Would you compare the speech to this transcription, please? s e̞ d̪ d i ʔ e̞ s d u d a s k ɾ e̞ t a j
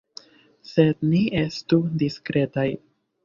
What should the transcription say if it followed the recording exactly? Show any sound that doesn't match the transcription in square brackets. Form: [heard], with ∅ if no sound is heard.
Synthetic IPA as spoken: s e̞ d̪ [n] i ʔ e̞ s [t] u d [i] s k ɾ e̞ t a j